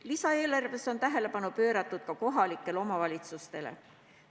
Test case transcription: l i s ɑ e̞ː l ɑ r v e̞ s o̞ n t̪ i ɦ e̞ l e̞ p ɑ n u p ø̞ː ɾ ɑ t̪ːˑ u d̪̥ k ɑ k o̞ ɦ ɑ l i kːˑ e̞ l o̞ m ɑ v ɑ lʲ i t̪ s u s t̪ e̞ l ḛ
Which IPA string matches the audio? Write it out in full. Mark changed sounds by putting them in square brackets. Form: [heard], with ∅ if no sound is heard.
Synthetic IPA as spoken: l i s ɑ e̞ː l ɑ r v e̞ s o̞ n t̪ [æ] ɦ e̞ l e̞ p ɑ n u p ø̞ː ɾ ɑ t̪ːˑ u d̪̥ k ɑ k o̞ ɦ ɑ l i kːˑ e̞ l o̞ m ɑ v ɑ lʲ i t̪ s u s t̪ e̞ l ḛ